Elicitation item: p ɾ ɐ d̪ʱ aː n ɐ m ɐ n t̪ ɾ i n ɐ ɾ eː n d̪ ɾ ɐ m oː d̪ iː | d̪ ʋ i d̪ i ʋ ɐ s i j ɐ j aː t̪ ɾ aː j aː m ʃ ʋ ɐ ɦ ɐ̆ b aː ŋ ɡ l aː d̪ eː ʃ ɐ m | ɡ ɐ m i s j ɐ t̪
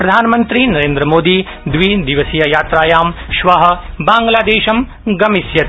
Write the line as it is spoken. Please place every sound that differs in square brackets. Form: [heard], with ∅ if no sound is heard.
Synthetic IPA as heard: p ɾ ɐ d̪ʱ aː n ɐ m ɐ n t̪ ɾ i n ɐ ɾ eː n d̪ ɾ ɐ m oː d̪ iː | d̪ ʋ i d̪ i ʋ ɐ s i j ɐ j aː t̪ ɾ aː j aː m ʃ ʋ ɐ ɦ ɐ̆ b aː ŋ ɡ l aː d̪ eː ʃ ɐ m | ɡ ɐ m i s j ɐ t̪